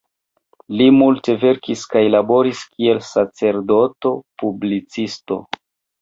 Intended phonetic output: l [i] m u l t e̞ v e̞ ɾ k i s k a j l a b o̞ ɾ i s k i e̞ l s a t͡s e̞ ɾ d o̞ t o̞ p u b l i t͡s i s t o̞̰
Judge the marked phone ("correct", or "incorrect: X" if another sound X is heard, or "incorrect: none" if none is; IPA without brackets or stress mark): correct